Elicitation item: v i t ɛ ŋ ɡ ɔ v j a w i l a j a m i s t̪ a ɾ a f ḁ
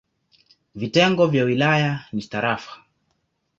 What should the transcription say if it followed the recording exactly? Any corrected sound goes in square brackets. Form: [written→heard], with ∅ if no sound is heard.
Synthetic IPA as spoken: v i t ɛ ŋ ɡ ɔ v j a w i l a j a [m→n] i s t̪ a ɾ a f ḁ